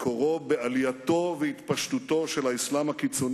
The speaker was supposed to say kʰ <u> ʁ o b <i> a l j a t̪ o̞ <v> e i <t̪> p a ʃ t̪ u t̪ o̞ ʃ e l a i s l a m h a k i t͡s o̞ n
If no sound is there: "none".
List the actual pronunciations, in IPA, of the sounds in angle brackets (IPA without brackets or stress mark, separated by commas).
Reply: o, e, v, t̪